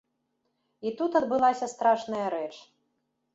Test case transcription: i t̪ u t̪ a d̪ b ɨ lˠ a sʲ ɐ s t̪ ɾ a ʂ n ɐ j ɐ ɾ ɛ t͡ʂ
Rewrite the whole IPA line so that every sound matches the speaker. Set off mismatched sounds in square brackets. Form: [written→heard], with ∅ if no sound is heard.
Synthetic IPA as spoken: i t̪ u t̪ [a→ɐ] d̪ b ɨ lˠ a sʲ ɐ s t̪ ɾ a ʂ n ɐ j ɐ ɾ ɛ t͡ʂ